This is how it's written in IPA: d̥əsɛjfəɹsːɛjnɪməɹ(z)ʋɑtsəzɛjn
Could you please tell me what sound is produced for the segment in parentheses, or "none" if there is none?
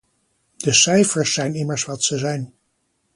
s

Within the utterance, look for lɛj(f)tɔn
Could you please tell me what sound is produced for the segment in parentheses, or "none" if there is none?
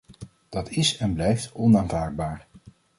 f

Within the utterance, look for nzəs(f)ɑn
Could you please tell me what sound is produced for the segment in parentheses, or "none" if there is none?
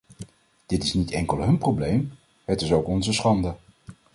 χ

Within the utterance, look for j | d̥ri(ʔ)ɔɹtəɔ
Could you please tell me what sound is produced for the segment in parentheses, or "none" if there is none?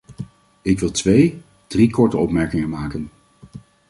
k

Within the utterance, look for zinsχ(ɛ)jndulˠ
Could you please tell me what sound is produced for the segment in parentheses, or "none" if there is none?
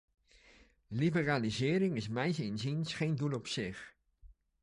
e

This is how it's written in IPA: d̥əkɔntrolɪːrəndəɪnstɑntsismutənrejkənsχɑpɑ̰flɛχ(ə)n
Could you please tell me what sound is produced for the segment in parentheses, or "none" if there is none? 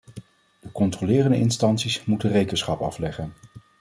ə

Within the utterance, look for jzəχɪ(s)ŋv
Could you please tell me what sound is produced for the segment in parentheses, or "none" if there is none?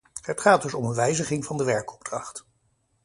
none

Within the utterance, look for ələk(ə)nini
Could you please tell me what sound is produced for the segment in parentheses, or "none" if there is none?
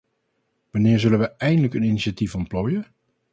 ə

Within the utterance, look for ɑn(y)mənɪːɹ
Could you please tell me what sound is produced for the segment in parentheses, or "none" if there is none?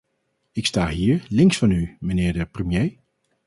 y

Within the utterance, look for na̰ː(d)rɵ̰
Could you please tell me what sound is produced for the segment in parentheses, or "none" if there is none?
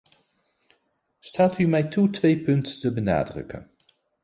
d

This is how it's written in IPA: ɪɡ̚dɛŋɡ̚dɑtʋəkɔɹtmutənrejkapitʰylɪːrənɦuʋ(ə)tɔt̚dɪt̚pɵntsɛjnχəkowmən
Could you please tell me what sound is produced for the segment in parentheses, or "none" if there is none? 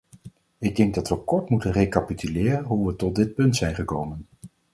ə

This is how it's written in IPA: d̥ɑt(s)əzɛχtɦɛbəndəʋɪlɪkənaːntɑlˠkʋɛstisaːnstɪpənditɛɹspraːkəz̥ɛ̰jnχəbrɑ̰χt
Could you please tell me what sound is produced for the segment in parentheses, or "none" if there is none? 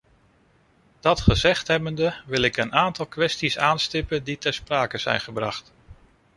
χ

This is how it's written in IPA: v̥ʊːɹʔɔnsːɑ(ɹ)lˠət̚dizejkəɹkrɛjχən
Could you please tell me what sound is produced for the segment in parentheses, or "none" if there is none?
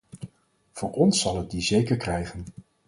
none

